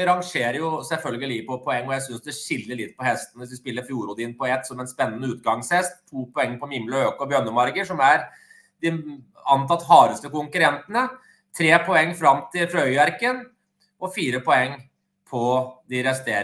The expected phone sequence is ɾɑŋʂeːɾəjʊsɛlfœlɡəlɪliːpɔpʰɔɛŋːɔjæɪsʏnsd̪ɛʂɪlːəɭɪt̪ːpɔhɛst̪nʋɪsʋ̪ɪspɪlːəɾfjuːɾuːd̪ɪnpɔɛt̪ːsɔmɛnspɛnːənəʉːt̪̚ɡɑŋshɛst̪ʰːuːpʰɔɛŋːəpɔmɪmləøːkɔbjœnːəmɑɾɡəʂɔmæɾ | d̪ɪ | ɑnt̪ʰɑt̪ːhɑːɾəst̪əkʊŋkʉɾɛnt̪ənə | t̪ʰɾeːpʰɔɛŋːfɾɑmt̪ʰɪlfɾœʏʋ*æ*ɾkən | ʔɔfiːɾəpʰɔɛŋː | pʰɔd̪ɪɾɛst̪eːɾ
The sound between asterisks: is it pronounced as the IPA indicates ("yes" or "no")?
yes